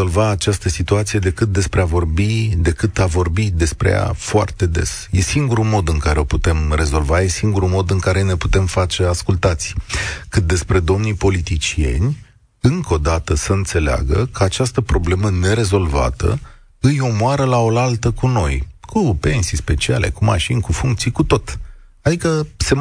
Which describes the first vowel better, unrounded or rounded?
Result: rounded